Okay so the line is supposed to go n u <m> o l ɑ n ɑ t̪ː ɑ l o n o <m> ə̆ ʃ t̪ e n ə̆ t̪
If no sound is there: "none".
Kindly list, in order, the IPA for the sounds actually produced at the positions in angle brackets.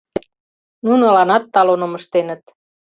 n, m

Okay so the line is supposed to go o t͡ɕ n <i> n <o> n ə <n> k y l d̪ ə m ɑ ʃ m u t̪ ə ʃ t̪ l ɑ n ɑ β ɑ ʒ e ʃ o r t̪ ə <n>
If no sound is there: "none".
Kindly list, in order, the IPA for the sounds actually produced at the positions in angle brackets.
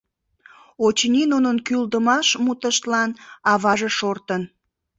i, u, n, n

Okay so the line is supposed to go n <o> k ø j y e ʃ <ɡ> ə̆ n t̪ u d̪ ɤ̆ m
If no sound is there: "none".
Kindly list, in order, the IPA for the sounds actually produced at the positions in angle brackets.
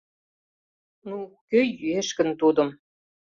u, k

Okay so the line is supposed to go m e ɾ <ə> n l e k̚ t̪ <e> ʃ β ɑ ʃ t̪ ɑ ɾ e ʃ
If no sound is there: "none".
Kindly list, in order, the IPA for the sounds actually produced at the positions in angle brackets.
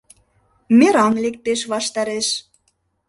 ɑ, e

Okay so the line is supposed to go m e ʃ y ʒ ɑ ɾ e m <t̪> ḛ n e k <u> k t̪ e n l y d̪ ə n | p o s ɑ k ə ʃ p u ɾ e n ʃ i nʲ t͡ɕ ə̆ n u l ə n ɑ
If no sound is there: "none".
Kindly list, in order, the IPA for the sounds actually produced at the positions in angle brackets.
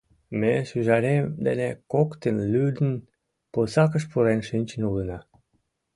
d̪, o

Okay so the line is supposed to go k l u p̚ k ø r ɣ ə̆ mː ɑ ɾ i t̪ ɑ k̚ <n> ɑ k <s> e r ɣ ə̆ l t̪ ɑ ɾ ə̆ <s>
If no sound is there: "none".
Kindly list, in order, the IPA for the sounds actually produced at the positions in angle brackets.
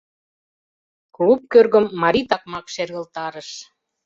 m, ʃ, ʃ

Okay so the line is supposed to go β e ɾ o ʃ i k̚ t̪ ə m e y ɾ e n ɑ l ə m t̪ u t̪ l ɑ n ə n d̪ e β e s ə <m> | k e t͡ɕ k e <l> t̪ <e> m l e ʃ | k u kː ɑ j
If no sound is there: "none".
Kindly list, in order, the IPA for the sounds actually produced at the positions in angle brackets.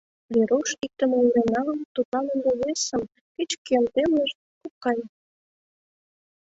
m, l, e

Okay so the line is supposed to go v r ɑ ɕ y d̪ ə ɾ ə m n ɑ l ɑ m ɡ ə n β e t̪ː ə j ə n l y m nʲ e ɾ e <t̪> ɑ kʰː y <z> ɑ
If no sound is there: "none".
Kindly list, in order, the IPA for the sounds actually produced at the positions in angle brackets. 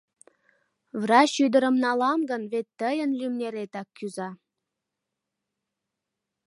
t̪, z

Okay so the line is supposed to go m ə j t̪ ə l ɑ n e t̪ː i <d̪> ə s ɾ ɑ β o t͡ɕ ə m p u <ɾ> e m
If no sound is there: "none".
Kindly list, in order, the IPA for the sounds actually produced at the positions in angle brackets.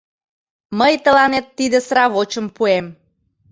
d̪, none

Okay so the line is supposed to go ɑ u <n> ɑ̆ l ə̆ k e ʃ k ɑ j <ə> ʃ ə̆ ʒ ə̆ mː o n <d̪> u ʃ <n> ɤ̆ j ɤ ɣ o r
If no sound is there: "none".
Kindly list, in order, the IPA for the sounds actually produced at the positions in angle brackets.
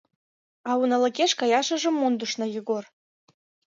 n, ɑ, d̪, n

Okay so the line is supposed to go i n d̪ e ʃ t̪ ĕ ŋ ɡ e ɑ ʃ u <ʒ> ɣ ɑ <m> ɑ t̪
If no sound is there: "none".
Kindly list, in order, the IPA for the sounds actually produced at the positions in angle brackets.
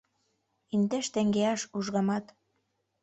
ʒ, m

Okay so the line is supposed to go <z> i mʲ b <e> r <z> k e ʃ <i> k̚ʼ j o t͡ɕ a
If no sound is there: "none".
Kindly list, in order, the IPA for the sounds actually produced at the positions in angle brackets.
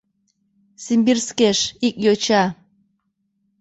s, i, s, i

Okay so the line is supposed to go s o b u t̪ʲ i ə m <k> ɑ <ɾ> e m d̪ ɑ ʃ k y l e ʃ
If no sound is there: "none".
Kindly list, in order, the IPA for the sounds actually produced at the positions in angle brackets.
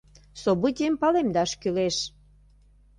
p, l

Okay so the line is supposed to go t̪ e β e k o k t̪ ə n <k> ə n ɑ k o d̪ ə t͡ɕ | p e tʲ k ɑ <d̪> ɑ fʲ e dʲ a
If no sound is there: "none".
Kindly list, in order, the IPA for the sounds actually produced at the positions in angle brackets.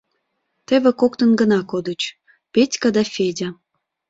ɡ, d̪

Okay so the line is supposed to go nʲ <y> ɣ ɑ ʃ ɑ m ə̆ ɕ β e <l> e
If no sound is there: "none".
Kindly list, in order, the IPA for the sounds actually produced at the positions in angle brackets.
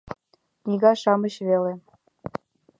i, l

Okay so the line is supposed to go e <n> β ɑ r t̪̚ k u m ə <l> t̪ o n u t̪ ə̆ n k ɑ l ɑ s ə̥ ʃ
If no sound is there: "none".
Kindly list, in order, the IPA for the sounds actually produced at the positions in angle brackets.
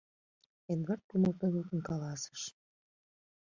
n, l

